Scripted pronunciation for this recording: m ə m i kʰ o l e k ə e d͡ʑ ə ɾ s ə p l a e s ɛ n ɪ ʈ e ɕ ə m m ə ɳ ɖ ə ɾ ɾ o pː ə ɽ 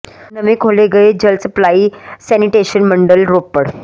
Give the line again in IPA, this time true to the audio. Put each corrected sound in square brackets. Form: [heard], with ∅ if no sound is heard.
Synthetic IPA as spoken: [n] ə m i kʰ o l e [ɡ] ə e d͡ʑ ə [l] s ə p l a [i] s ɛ n [i] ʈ e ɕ ə [n] m ə ɳ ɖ ə [l] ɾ o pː ə ɽ